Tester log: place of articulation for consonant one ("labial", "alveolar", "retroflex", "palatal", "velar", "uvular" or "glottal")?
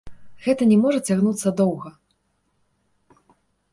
velar